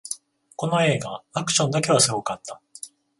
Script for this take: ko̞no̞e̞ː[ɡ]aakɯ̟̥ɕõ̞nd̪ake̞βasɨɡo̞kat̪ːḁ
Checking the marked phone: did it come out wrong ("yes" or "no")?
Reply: no